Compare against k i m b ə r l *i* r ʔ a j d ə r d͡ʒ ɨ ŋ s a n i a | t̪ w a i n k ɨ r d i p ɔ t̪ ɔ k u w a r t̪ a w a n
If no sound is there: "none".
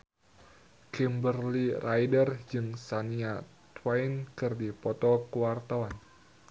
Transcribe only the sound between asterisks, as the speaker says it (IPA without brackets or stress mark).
i